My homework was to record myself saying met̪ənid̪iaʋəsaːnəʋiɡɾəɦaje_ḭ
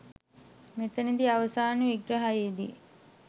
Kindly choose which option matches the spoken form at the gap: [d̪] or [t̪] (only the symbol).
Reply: d̪